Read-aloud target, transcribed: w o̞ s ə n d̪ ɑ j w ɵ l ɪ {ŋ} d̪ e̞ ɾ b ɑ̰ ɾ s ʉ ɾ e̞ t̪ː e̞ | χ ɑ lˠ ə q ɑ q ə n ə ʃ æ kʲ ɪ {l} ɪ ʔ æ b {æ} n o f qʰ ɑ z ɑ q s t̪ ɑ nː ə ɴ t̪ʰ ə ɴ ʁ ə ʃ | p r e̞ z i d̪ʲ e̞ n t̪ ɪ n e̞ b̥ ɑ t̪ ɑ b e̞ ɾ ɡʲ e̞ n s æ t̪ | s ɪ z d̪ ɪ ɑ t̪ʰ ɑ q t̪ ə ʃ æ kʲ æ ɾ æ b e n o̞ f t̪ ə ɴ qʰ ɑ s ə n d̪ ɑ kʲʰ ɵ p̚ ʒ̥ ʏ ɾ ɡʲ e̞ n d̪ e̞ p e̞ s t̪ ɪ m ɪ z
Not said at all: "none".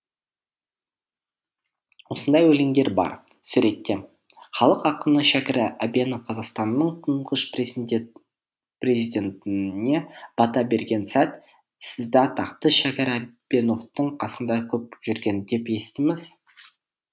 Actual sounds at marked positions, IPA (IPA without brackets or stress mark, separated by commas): ŋ, ɾ, e